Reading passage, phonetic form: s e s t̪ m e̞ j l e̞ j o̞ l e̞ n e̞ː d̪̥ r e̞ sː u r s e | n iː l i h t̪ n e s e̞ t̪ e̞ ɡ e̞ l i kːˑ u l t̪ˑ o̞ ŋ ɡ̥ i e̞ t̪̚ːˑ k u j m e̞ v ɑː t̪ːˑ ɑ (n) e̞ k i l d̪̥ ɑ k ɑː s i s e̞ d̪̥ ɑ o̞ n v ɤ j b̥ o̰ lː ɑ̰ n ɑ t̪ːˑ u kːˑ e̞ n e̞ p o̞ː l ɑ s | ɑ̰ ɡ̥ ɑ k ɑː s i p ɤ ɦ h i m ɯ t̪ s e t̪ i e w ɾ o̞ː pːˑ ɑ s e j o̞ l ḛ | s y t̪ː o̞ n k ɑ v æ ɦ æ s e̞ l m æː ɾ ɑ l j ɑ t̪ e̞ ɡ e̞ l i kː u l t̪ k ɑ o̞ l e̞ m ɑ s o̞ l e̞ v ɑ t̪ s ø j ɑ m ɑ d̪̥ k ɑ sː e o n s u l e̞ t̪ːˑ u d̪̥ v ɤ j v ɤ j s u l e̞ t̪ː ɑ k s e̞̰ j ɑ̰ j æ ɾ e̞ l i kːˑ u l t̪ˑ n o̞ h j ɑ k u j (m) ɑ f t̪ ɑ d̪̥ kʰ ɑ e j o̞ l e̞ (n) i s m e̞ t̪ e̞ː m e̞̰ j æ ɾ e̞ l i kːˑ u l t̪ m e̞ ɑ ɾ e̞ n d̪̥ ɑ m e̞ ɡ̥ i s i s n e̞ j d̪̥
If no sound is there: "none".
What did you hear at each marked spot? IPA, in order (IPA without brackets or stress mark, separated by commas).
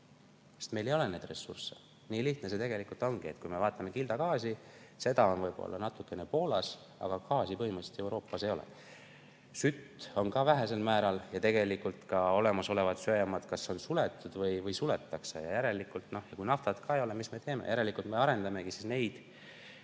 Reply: m, n, m